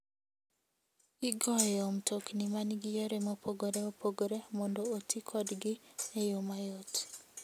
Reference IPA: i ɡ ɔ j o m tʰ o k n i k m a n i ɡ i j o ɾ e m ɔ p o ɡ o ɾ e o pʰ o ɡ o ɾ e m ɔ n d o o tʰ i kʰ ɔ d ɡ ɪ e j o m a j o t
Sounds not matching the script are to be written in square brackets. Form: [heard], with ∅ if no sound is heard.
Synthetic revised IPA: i ɡ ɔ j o m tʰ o k n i [∅] m a n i ɡ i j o ɾ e m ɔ p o ɡ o ɾ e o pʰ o ɡ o ɾ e m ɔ n d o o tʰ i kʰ ɔ d ɡ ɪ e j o m a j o t